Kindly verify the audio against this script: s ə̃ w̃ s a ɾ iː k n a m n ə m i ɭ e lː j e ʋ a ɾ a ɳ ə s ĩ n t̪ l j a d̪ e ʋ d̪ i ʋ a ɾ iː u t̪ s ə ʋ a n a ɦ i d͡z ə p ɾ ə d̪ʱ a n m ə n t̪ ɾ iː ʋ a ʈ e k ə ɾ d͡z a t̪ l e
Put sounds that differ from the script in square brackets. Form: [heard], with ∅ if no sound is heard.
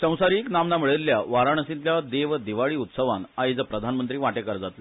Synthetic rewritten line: s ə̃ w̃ s a ɾ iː k n a m n [a] m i ɭ e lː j [a] ʋ a ɾ a ɳ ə s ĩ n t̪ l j a d̪ e ʋ d̪ i ʋ a [ɭ] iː u t̪ s ə ʋ a n a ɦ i d͡z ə p ɾ ə d̪ʱ a n m ə n t̪ ɾ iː ʋ a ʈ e k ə ɾ d͡z a t̪ l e

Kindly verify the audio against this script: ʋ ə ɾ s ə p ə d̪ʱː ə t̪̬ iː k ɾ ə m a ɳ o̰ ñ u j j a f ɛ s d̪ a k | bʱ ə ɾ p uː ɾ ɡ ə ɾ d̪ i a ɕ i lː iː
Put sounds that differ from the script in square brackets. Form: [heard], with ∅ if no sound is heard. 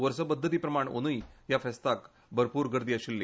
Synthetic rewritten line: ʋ ə ɾ s ə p ə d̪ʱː ə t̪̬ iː [p] ɾ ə m a ɳ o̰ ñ u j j a f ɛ s [t̪] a k | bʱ ə ɾ p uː ɾ ɡ ə ɾ d̪ i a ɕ i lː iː

